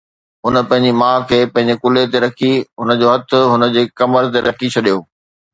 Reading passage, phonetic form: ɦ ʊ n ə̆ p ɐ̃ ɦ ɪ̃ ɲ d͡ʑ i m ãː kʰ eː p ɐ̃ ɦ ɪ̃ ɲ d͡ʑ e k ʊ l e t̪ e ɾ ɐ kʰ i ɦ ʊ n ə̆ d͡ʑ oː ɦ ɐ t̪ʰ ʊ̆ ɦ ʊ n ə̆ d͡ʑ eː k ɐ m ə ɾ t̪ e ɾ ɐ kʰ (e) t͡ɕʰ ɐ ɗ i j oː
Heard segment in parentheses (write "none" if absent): i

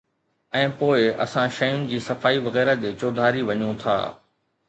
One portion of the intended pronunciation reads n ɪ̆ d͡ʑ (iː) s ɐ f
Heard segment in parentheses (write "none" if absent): iː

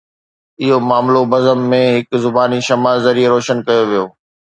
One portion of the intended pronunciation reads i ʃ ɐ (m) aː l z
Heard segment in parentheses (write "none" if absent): m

